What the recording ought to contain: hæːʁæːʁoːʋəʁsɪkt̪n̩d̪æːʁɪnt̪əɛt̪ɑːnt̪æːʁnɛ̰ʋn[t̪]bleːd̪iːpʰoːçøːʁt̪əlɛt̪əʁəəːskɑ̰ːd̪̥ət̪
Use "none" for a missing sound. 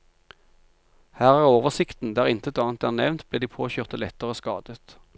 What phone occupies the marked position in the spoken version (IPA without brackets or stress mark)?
t̪